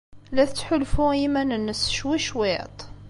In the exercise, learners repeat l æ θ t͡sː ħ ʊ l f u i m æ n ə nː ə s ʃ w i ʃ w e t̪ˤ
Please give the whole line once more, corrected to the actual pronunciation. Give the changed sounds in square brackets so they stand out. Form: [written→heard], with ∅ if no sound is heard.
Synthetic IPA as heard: l æ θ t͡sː ħ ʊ l f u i m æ n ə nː ə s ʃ w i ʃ w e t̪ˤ